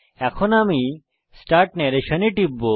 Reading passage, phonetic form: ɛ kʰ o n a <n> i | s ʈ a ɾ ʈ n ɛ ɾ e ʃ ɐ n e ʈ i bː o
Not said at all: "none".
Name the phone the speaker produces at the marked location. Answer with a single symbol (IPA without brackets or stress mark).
m